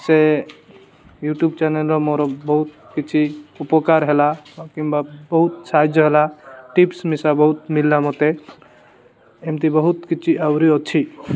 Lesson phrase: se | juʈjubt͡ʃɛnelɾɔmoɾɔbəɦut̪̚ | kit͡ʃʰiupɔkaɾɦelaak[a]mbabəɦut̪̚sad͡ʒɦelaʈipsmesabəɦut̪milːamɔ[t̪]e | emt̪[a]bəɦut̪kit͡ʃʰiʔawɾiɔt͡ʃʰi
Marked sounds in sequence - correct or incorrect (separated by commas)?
incorrect, correct, incorrect